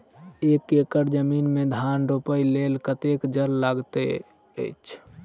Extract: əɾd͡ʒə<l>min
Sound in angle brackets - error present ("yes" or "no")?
yes